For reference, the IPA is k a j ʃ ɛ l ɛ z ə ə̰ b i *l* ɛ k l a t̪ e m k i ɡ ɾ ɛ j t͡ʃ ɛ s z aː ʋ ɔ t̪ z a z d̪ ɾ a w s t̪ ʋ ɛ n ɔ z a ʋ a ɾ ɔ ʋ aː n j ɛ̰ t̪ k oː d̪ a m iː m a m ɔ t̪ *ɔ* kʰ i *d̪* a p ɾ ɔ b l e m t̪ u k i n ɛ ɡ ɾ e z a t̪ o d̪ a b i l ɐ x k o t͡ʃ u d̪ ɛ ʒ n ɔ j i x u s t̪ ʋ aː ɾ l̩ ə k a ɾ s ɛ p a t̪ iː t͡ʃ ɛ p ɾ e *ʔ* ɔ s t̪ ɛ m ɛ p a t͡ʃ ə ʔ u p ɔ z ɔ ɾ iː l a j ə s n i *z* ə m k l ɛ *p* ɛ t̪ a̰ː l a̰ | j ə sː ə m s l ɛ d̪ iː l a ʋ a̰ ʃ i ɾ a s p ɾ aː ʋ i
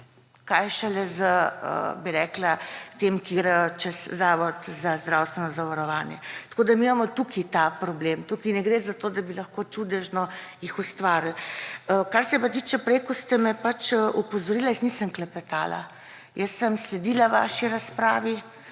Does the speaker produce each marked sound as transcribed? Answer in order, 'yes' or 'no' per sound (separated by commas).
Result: no, no, no, no, no, yes